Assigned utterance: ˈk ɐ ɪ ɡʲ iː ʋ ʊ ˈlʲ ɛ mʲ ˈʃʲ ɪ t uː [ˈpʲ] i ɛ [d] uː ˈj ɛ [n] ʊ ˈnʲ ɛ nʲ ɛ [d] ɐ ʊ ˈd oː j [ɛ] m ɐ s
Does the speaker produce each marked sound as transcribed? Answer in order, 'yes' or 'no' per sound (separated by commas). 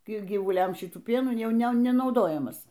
yes, no, no, no, yes